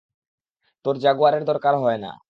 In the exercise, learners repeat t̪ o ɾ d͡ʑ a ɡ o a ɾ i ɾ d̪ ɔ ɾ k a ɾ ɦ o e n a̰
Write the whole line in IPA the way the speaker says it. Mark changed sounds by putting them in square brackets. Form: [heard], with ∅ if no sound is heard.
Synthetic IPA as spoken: t̪ o ɾ d͡ʑ a ɡ o a ɾ [e] ɾ d̪ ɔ ɾ k a ɾ ɦ [ɔ] e n a̰